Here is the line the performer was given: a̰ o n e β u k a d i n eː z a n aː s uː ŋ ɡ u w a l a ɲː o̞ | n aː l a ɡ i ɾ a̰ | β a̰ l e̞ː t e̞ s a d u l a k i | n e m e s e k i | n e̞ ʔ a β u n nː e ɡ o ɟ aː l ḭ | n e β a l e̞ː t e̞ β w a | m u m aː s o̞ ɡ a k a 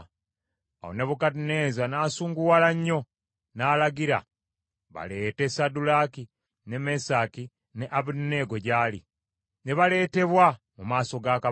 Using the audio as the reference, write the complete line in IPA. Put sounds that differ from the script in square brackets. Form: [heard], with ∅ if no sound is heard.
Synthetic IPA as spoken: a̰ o n e β u k a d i n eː z a n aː s uː ŋ ɡ u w a l a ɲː o̞ | n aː l a ɡ i ɾ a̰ | β a̰ l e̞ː t e̞ s a d u l a k i | n e m e s [a] k i | n e̞ ʔ a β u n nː e ɡ o ɟ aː l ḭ | n e β a l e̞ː t e̞ β w a | m u m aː s o̞ ɡ a k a